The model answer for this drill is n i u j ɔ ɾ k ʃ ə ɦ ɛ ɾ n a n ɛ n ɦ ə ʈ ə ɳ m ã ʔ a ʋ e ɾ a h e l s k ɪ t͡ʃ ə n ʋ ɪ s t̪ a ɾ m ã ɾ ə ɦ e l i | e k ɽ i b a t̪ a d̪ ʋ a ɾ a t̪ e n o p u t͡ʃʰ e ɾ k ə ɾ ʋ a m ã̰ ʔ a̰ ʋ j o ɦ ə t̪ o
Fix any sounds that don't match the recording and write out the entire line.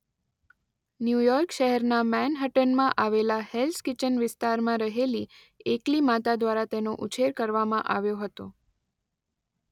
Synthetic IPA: n j u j ɔ ɾ k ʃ ə ɦ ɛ ɾ n a m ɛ n ɦ ə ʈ ə n m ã ʔ a ʋ e l a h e l s k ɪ t͡ʃ ə n ʋ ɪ s t̪ a ɾ m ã ɾ ə ɦ e l i | e k l i m a t̪ a d̪ ʋ a ɾ a t̪ e n o ʔ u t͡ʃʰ e ɾ k ə ɾ ʋ a m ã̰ ʔ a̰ ʋ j o ɦ ə t̪ o